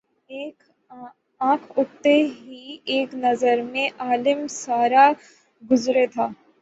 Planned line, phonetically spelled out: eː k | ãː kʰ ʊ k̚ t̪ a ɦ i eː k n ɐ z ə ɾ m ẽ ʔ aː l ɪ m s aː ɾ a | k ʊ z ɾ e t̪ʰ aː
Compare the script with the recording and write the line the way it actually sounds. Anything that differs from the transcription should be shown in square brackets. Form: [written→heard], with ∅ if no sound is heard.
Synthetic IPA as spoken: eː k | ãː kʰ ʊ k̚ t̪ [a→e] ɦ i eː k n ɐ z ə ɾ m ẽ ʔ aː l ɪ m s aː ɾ a | [k→ɡ] ʊ z ɾ e t̪ʰ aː

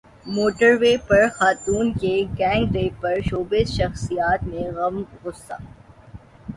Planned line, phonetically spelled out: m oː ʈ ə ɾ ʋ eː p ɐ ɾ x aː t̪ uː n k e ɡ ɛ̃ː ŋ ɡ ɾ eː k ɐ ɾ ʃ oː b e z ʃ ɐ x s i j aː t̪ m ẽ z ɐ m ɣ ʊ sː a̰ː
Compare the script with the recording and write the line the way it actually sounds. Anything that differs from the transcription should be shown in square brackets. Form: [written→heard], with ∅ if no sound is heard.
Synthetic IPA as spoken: m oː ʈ ə ɾ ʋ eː p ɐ ɾ x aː t̪ uː n k e ɡ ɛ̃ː ŋ ɡ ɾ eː [k→p] ɐ ɾ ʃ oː b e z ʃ ɐ x s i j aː t̪ m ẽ [z→ɣ] ɐ m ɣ ʊ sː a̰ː

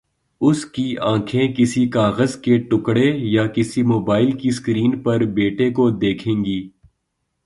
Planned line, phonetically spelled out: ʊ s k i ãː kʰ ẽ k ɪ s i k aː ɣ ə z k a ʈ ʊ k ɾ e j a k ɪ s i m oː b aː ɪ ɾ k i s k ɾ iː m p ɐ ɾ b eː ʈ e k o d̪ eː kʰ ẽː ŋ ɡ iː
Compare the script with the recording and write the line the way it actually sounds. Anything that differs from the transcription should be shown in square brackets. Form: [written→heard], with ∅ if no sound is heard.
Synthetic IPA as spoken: ʊ s k i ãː kʰ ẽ k ɪ s i k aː ɣ ə z k [a→e] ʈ ʊ k [ɾ→ɽ] e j a k ɪ s i m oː b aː ɪ [ɾ→l] k i s k ɾ iː [m→n] p ɐ ɾ b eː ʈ e k o d̪ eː kʰ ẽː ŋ ɡ iː

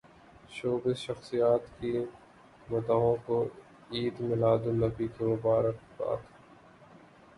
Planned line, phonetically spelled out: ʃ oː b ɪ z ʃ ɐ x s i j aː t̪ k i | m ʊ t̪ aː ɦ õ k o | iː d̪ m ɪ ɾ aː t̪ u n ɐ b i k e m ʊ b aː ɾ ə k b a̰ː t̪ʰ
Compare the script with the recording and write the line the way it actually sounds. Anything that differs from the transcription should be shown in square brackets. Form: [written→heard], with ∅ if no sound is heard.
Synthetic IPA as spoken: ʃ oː b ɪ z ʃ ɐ x s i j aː t̪ k i | m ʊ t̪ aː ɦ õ k o | iː d̪ m ɪ [ɾ→l] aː [t̪→d̪] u n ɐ b i k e m ʊ b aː ɾ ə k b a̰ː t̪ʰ

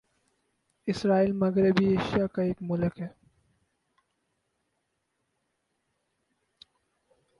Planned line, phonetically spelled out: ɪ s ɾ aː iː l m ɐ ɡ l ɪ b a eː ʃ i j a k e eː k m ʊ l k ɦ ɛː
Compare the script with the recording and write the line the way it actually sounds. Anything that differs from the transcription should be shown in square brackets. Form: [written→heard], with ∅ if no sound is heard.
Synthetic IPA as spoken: ɪ s ɾ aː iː l m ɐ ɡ [l→ɾ] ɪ b [a→i] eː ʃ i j a k [e→a] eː k m ʊ l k ɦ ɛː

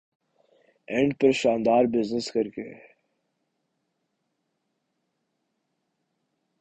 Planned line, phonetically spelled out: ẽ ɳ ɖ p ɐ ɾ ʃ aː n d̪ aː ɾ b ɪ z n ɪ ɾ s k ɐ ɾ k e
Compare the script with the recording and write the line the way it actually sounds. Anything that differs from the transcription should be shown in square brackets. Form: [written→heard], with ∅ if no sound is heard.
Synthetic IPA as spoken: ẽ ɳ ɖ p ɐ ɾ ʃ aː n d̪ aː ɾ b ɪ z n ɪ [ɾ→∅] s k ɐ ɾ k e

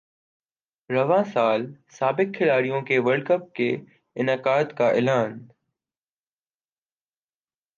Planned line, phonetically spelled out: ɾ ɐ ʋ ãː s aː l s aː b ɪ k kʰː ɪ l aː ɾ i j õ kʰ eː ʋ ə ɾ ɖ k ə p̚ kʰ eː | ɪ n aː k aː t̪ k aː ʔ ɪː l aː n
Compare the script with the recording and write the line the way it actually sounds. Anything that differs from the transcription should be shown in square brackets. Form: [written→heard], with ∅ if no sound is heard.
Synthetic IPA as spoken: ɾ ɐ ʋ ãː s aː l s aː b ɪ k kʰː ɪ l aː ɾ i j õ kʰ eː ʋ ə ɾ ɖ k ə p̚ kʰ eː | ɪ n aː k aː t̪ k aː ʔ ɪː l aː n

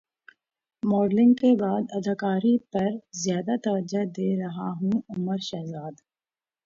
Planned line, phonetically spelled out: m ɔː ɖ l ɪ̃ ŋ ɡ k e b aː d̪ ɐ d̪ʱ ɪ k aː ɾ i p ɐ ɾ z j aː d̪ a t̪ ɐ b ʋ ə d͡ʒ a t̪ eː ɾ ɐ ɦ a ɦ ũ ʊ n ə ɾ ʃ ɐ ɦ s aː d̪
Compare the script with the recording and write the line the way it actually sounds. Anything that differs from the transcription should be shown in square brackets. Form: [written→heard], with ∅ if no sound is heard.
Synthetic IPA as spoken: m ɔː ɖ l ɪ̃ ŋ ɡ k e b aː d̪ ɐ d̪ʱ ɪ k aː ɾ i p ɐ ɾ z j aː d̪ a t̪ ɐ [b→∅] ʋ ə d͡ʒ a [t̪→d̪] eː ɾ ɐ ɦ a ɦ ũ ʊ [n→m] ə ɾ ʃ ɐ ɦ [s→z] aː d̪

